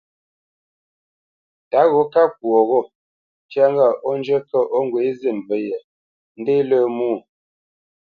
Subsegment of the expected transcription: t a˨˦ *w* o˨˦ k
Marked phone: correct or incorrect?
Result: incorrect